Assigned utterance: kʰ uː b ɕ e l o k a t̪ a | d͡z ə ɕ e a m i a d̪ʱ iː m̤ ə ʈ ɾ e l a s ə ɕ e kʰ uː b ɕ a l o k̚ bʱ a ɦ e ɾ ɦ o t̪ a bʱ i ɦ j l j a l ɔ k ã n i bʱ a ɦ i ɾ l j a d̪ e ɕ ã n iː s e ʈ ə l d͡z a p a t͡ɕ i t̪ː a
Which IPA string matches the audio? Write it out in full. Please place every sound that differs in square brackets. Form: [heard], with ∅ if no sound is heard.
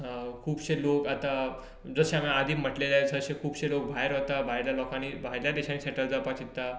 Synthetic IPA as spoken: kʰ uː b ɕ e l o k a t̪ a | d͡z ə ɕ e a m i a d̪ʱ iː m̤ ə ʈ [l] e l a s ə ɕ e kʰ uː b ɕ [e] l o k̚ bʱ a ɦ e ɾ ɦ o t̪ a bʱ [a] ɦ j l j a l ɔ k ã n i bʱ a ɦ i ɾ l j a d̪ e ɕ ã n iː s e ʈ ə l d͡z a p a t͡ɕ i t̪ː a